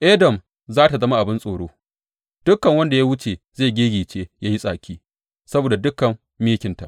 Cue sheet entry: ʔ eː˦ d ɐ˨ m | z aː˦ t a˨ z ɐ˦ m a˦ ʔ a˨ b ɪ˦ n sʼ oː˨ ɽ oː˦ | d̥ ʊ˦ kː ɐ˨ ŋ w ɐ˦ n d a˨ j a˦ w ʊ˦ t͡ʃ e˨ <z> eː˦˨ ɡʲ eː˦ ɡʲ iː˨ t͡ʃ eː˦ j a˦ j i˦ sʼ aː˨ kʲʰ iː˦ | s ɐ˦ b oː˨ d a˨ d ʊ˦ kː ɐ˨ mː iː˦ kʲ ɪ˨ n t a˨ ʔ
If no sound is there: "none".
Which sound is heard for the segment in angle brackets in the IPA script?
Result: z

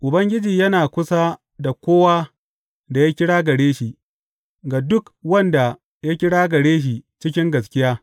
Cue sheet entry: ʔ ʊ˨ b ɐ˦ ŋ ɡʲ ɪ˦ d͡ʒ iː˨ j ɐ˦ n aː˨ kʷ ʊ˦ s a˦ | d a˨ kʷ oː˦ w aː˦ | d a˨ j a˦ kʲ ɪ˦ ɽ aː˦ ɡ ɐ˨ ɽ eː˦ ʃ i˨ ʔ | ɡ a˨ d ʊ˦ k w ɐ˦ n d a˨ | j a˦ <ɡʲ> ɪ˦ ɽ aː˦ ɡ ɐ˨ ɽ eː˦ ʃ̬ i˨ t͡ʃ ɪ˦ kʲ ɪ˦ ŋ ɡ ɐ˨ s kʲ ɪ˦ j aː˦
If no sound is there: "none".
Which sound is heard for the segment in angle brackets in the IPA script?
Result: kʲ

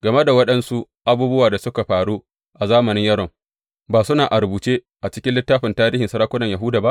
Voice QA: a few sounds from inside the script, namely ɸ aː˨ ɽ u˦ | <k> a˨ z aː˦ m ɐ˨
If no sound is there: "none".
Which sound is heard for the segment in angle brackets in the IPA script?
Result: ʔ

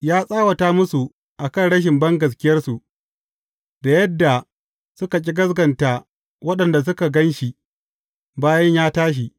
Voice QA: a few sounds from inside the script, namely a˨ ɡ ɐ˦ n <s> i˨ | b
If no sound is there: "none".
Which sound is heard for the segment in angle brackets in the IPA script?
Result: ʃ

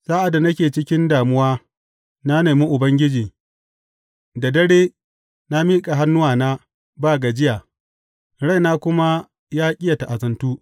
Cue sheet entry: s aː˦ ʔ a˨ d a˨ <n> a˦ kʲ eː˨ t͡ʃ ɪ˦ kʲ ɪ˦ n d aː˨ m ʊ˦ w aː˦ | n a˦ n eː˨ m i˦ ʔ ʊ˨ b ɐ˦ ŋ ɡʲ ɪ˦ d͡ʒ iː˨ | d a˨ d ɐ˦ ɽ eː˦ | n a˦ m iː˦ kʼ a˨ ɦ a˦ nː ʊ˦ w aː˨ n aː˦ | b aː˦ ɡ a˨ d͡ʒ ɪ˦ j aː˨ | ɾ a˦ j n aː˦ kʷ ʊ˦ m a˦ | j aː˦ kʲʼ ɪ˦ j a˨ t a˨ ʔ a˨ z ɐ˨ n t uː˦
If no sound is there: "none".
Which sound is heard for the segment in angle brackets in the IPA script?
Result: n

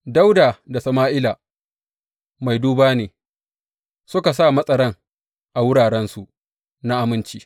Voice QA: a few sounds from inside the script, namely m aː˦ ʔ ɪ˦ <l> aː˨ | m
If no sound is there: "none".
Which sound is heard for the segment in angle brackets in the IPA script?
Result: l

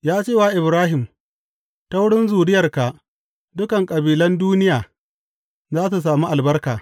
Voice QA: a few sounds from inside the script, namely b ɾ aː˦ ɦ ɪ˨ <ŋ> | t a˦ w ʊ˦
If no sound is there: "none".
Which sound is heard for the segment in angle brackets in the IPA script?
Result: m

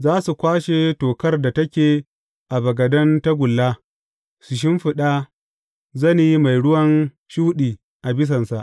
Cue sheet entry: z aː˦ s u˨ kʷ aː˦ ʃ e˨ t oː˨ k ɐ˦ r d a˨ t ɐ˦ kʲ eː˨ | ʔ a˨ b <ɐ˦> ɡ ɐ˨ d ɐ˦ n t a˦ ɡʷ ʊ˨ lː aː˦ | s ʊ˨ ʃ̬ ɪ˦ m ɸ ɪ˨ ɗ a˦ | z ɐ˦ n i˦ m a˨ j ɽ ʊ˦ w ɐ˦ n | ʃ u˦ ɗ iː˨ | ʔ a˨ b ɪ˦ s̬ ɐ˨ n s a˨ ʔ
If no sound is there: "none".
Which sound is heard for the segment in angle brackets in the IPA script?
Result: ɐ˨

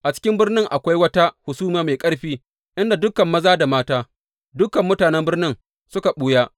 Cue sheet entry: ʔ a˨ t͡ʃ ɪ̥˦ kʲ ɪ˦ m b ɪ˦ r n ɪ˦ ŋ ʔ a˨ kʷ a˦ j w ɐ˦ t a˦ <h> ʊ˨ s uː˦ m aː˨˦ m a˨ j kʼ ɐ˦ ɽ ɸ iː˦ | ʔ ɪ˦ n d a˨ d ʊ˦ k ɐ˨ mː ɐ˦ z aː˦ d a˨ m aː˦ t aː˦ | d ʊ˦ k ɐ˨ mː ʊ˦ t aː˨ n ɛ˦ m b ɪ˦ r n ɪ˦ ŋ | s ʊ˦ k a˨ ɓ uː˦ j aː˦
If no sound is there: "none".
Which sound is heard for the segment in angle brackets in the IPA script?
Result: h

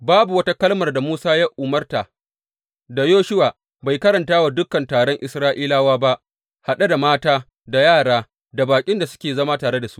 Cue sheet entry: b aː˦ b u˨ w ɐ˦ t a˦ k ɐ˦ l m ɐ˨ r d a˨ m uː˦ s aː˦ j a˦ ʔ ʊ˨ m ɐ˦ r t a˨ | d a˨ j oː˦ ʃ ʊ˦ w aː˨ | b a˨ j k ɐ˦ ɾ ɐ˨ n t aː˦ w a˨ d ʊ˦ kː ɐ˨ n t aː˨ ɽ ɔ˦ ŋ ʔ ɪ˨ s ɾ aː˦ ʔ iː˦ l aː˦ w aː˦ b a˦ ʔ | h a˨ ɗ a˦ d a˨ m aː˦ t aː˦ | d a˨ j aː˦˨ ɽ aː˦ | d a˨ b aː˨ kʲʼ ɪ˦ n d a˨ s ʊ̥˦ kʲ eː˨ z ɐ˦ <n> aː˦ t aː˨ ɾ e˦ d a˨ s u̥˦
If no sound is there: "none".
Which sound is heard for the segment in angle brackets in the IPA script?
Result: m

